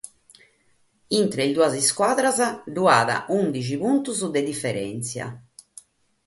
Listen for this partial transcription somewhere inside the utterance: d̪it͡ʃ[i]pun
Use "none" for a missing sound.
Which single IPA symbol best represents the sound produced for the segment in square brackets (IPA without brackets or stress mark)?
i